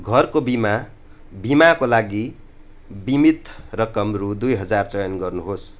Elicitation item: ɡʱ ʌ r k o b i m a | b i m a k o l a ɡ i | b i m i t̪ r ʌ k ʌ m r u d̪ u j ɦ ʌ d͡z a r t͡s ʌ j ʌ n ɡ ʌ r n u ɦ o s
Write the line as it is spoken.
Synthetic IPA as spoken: ɡʱ ʌ r k o b i m a | b i m a k o l a ɡ i | b i m i t̪ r ʌ k ʌ m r u d̪ u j ɦ ʌ d͡z a r t͡s ʌ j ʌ n ɡ ʌ r n u ɦ o s